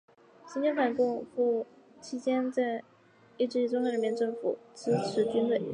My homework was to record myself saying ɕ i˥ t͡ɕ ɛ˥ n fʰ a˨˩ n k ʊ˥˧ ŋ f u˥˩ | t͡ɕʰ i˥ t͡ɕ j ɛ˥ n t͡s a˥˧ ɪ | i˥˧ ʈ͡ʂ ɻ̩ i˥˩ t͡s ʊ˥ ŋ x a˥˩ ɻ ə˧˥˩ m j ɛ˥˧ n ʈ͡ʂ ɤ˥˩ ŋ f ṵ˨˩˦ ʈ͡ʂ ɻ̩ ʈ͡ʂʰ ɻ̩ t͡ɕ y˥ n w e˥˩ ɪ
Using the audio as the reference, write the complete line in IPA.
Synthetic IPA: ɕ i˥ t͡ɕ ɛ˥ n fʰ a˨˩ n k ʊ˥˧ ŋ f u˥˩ | t͡ɕʰ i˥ t͡ɕ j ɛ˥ n t͡s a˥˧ ɪ | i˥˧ ʈ͡ʂ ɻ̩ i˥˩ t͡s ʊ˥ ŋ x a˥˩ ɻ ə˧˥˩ m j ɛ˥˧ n ʈ͡ʂ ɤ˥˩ ŋ f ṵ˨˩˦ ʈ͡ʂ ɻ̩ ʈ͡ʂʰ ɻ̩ t͡ɕ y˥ n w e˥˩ ɪ